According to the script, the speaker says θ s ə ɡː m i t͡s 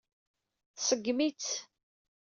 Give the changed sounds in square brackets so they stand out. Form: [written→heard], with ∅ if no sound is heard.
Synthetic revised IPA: θ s ə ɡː m i t͡s

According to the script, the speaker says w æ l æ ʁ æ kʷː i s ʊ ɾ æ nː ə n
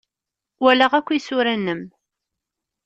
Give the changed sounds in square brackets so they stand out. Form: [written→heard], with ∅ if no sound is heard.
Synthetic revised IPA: w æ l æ ʁ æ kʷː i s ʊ ɾ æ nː ə [n→m]

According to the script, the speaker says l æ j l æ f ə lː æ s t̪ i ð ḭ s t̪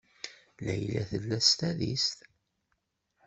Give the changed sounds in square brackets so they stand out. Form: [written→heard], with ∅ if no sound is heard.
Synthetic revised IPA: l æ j l æ [f→θ] ə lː æ s t̪ [i→æ] ð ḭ s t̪

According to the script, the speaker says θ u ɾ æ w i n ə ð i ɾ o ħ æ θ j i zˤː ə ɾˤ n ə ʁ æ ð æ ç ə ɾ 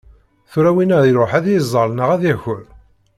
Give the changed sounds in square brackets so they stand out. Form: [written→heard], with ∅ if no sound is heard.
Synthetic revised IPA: θ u ɾ æ w i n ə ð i ɾ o ħ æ [θ→ð] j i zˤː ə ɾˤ n ə ʁ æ ð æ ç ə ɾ

